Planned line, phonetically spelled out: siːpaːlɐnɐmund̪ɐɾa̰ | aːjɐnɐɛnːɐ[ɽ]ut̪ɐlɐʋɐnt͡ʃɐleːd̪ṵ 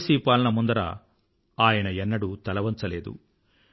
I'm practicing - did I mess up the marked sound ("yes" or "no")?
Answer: no